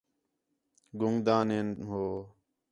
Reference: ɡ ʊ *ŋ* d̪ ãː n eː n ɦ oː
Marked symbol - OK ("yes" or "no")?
yes